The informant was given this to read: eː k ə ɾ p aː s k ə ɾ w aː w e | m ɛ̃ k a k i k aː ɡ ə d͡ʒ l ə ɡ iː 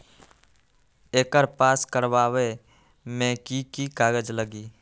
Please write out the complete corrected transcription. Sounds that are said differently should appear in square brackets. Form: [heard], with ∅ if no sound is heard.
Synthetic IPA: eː k ə ɾ p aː s k ə ɾ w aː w e | m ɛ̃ k [i] k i k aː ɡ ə d͡ʒ l ə ɡ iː